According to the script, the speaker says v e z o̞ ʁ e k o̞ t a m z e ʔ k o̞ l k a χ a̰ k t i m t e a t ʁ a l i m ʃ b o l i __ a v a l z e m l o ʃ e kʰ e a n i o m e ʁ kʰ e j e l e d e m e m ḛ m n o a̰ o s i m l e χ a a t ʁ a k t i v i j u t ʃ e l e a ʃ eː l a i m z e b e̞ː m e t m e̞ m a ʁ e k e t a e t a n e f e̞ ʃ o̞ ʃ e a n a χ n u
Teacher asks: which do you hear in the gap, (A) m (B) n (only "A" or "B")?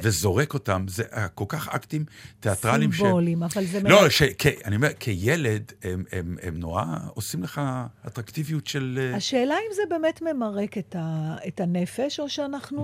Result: A